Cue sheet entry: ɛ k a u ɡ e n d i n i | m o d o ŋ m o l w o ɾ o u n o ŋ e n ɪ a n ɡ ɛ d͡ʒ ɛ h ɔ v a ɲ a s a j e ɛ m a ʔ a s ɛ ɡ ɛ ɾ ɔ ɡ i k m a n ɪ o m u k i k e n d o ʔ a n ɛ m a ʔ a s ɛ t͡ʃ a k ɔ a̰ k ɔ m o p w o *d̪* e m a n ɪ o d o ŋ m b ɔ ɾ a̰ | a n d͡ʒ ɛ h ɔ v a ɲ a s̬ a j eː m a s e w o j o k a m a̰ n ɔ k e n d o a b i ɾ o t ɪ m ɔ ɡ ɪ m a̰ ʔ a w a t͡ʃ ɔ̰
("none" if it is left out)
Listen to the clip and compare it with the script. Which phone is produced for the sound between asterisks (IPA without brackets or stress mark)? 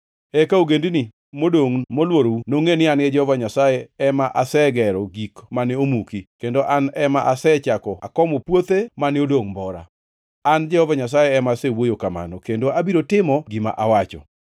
t̪